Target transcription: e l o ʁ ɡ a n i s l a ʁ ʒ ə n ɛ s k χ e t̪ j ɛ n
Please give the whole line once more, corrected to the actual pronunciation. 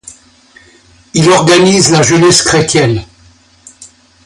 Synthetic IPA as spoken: i l ɔ ʁ ɡ a n i z l a ʒ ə n ɛ s k χ e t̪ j ɛ n